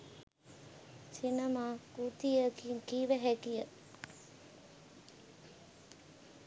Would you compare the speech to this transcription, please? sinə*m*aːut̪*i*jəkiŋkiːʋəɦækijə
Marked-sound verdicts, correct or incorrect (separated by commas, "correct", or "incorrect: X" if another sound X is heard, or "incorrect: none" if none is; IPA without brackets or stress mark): correct, correct